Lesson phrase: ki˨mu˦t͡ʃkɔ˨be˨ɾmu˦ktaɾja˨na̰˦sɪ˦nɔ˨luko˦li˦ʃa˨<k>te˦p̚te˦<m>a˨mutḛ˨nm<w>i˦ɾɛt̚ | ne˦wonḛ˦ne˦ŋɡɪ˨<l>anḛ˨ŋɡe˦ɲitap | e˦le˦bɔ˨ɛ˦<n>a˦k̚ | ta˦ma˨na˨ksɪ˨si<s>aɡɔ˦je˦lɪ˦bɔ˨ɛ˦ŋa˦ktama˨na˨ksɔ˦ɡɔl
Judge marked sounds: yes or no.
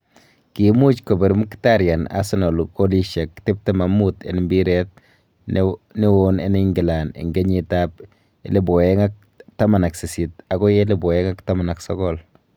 yes, yes, no, yes, no, no

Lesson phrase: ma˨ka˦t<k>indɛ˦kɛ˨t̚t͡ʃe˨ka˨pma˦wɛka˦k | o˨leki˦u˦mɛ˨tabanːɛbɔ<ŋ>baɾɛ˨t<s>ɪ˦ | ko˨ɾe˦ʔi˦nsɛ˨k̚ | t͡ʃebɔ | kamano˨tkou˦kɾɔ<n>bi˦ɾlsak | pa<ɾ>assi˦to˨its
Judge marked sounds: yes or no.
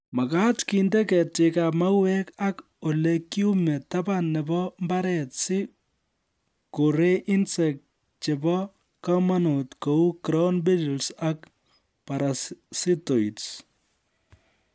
yes, no, yes, yes, yes

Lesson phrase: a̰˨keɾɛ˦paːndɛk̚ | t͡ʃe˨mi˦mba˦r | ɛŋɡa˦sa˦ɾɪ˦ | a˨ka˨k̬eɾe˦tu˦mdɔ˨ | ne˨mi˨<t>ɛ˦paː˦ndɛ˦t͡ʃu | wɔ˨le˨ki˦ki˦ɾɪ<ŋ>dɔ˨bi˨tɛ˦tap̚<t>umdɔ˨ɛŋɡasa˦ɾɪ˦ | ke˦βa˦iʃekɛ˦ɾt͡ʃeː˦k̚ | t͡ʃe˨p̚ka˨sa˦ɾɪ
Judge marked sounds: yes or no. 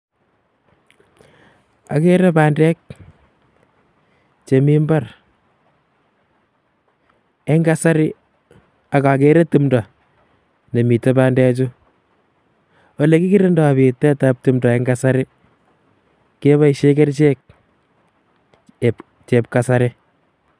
yes, no, yes

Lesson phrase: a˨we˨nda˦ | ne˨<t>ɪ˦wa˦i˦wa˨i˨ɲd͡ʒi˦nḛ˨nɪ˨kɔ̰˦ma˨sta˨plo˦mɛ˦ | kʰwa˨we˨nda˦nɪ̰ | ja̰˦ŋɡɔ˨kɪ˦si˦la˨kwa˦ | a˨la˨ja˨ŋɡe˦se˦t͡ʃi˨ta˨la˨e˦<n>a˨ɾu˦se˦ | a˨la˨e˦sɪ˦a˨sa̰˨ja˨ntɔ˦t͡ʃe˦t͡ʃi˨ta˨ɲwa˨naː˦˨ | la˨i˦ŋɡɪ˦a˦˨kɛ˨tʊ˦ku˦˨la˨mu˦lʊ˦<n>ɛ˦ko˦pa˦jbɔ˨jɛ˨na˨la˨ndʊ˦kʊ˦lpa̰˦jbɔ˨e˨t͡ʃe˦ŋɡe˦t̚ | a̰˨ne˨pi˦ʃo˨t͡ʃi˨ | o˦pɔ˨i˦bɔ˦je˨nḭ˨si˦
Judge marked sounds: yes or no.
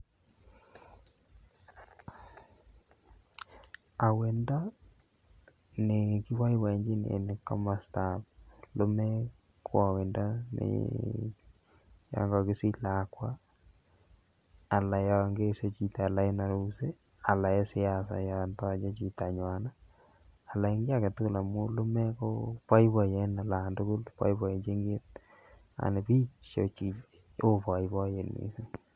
no, yes, no

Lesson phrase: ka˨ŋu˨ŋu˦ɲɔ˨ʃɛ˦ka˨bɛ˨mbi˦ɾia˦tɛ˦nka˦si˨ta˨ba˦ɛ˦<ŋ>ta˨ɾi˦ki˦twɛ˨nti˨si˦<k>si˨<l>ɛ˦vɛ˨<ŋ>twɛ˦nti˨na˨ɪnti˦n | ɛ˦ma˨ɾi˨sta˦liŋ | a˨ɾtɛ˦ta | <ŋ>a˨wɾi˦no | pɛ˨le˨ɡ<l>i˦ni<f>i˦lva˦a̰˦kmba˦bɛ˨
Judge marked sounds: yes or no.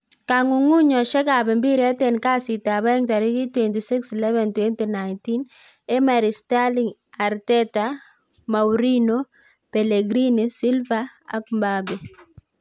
yes, yes, yes, no, no, no, no

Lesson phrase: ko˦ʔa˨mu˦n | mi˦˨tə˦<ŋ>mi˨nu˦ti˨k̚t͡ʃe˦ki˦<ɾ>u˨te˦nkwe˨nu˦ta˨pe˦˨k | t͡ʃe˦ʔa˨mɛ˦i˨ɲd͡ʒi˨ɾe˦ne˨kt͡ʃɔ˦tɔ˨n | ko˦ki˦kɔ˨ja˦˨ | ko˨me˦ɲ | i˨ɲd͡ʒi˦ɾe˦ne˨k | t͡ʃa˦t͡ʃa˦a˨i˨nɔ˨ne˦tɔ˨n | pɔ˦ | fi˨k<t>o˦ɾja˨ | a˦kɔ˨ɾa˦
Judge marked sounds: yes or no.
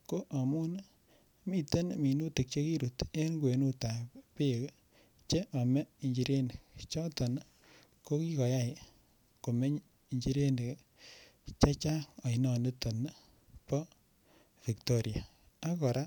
no, yes, yes

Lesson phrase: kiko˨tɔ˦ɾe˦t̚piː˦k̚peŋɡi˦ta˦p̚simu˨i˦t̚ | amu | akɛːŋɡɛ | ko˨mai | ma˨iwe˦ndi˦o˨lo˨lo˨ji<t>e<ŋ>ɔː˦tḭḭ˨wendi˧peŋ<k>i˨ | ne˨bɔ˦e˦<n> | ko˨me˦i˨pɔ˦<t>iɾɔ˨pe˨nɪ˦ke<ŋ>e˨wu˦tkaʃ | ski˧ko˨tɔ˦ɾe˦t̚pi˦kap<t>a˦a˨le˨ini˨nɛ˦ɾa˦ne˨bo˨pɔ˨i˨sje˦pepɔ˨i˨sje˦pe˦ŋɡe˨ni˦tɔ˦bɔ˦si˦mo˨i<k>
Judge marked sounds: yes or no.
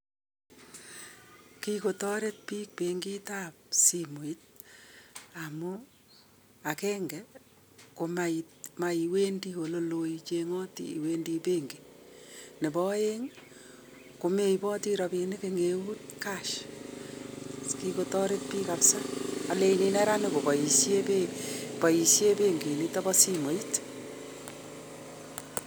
no, yes, no, no, yes, yes, no, no

